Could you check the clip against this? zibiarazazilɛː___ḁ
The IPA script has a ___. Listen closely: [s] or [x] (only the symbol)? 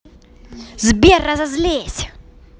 s